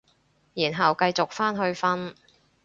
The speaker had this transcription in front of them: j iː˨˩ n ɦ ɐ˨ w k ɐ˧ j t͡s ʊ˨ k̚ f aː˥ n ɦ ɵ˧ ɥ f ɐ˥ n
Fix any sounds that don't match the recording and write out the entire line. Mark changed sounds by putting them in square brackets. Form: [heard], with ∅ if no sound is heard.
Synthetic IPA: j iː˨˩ n ɦ ɐ˨ w k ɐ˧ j t͡s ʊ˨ k̚ f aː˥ n ɦ ɵ˧ ɥ f ɐ˥ n